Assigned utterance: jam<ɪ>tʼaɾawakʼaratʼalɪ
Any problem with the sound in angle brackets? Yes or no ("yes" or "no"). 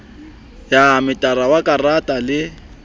no